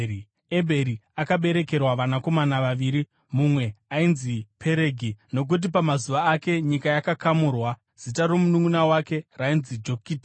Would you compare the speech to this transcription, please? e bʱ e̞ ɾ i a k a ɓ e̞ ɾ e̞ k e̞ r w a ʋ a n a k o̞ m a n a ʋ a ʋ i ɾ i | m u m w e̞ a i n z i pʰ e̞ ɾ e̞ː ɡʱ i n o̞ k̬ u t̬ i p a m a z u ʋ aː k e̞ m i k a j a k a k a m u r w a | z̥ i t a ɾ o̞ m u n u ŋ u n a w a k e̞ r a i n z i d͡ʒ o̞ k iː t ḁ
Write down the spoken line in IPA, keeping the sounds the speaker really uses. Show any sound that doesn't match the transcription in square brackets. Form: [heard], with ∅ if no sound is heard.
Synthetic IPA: e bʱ e̞ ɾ i a k a ɓ e̞ ɾ e̞ k e̞ r w a ʋ a n a k o̞ m a n a ʋ a ʋ i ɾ i | m u m w e̞ a i n z i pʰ e̞ ɾ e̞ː ɡʱ i n o̞ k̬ u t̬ i p a m a z u ʋ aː k e̞ [ɲ] i k a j a k a k a m u r w a | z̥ i t a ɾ o̞ m u n u ŋ u n a w a k e̞ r a i n z i d͡ʒ o̞ k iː t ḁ